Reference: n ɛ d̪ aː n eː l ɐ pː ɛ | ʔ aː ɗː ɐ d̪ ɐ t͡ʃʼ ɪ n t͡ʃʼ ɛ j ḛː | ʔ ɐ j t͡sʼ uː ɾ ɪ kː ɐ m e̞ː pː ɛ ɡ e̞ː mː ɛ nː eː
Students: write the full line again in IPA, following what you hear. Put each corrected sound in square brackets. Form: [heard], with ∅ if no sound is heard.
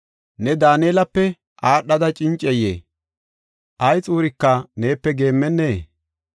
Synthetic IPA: n ɛ d̪ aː n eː l ɐ pː ɛ | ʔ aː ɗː ɐ d̪ ɐ t͡ʃʼ ɪ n t͡ʃʼ ɛ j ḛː | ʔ ɐ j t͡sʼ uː ɾ ɪ kː ɐ [n] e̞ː pː ɛ ɡ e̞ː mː ɛ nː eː